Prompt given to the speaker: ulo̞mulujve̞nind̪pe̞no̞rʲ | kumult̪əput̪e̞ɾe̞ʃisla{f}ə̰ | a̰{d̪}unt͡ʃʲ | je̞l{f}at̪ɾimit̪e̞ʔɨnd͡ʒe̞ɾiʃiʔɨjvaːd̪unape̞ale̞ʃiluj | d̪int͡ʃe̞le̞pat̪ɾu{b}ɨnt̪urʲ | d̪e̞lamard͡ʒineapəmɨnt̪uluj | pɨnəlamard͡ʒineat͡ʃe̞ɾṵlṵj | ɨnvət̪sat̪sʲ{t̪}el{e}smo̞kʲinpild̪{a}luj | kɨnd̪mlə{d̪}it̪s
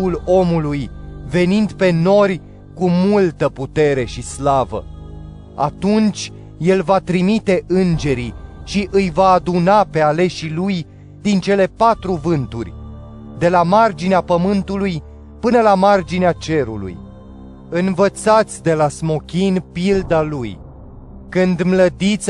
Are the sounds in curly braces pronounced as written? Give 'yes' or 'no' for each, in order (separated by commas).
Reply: no, no, no, no, no, no, yes, yes